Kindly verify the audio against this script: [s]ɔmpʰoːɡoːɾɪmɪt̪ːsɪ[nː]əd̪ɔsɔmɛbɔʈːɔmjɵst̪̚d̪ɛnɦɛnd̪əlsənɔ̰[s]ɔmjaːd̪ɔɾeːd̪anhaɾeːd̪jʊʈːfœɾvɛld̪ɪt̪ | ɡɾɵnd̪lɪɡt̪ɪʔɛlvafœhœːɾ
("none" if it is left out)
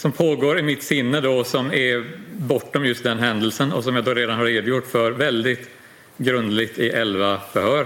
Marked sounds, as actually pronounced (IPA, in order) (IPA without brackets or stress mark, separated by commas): s, nː, s